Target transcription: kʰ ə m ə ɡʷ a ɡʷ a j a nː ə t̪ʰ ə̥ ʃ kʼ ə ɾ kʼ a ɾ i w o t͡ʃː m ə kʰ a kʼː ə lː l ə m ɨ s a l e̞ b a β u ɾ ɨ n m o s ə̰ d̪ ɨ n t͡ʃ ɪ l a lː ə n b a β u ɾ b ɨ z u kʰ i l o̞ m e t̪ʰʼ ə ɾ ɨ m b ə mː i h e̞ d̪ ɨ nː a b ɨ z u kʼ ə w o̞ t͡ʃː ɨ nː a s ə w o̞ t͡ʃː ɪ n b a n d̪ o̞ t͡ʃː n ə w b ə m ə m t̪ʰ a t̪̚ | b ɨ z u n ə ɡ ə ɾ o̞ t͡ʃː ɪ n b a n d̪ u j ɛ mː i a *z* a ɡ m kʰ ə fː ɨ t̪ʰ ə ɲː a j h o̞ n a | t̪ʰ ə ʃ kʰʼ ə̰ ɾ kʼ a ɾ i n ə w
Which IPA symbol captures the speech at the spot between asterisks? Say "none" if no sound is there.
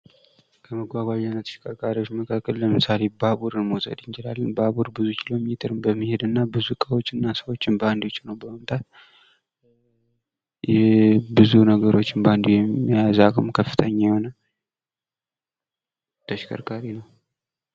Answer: z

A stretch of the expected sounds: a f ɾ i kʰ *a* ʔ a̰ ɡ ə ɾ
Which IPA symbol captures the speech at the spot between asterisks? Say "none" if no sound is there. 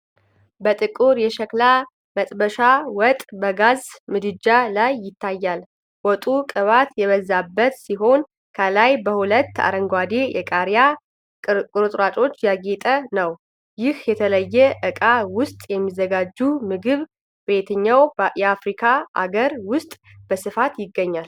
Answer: a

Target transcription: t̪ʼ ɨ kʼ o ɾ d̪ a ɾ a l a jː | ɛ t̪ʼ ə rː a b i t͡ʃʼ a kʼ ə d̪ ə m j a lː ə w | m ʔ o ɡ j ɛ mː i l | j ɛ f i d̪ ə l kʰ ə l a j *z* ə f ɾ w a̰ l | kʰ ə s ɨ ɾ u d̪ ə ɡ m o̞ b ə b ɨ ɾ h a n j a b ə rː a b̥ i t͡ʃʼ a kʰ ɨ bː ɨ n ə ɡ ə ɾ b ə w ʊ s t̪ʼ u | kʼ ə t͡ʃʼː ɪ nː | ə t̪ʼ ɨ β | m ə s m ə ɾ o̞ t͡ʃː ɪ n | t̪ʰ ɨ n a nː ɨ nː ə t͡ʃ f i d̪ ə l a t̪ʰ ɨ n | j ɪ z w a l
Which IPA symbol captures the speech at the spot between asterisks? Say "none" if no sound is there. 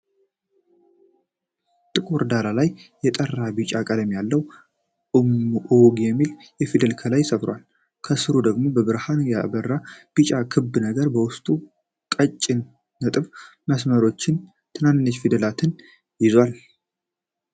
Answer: s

